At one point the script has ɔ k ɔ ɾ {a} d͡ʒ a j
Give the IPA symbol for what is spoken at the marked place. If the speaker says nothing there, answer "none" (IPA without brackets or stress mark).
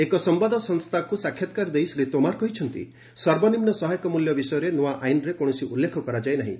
a